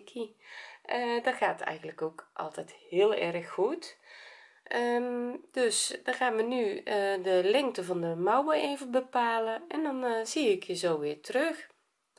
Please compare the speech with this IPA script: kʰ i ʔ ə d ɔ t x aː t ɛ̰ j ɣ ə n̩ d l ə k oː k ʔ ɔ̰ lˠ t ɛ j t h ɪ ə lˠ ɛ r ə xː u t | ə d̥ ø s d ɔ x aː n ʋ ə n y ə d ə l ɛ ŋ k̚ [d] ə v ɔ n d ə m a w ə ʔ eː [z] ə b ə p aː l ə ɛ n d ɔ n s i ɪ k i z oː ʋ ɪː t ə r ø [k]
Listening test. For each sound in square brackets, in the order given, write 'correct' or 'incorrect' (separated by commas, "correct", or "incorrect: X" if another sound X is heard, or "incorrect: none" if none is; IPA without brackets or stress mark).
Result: incorrect: t, incorrect: v, incorrect: x